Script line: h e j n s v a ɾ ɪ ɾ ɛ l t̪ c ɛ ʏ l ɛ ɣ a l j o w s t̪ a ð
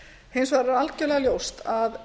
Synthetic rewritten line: h e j n s v a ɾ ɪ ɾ a l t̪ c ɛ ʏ l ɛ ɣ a l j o w s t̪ a ð